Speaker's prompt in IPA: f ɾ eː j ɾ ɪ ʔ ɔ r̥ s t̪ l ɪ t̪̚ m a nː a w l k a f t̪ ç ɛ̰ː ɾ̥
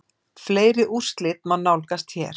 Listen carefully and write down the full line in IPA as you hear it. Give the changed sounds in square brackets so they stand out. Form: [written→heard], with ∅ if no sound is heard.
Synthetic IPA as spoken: f [ɾ→l] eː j ɾ ɪ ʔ [ɔ→u] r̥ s t̪ l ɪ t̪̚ m a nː a w l k a [f→s] t̪ ç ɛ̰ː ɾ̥